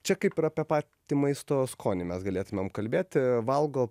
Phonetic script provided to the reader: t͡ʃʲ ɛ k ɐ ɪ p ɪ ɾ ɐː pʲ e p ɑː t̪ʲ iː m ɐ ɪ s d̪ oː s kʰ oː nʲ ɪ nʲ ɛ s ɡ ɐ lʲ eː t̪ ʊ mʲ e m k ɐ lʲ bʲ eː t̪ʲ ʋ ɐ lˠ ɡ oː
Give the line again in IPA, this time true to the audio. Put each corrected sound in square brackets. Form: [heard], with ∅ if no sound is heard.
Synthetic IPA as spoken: t͡ʃʲ ɛ k ɐ ɪ p ɪ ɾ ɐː pʲ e p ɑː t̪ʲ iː m ɐ ɪ s [t̪] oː s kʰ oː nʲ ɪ [mʲ] ɛ s ɡ ɐ lʲ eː t̪ ʊ mʲ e m k ɐ lʲ bʲ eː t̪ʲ ʋ ɐ lˠ ɡ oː